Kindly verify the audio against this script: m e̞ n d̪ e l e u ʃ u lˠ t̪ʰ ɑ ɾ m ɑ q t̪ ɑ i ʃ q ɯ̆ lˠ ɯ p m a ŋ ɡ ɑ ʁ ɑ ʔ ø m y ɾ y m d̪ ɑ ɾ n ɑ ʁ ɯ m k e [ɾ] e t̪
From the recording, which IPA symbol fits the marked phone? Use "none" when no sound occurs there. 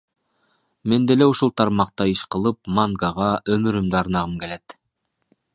l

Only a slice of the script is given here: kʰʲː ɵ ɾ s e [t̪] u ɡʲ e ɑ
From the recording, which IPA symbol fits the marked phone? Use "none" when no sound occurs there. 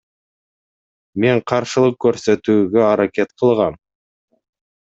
t̪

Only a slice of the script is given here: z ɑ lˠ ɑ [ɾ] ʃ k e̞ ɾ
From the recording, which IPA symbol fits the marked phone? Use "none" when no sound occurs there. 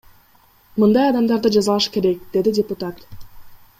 none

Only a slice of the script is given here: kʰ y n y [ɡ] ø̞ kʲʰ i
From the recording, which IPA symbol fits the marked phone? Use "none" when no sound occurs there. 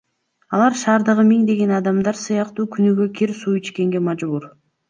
ɡ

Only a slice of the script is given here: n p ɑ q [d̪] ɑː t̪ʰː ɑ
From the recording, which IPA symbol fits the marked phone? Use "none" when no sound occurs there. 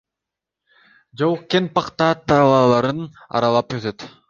t̪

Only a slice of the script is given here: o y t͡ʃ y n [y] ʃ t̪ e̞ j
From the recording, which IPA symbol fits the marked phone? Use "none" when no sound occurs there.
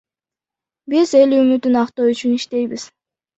i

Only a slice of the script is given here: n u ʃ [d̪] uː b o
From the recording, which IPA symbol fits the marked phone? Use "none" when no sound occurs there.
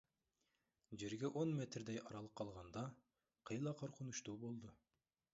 t̪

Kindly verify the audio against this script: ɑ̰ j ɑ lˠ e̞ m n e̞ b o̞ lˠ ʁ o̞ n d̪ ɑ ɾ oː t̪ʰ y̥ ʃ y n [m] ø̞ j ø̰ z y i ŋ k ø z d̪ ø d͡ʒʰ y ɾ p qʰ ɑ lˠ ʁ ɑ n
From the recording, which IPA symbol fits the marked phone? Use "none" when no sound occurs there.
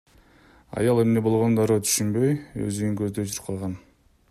b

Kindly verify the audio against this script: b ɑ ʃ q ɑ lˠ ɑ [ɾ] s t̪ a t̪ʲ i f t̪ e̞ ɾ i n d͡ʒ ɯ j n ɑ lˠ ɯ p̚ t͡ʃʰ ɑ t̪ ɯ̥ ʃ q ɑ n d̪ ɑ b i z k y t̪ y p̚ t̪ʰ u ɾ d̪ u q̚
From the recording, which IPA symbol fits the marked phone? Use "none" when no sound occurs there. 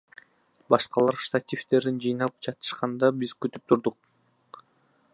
ɾ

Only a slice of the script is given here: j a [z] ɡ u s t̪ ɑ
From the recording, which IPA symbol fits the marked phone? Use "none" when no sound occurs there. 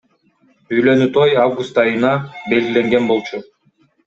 v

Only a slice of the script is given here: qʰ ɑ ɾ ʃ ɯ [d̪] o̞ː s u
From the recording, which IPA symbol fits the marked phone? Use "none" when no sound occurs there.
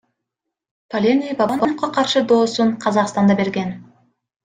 d̪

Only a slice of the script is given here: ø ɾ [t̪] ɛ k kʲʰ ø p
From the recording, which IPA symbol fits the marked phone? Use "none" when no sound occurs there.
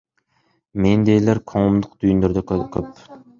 d̪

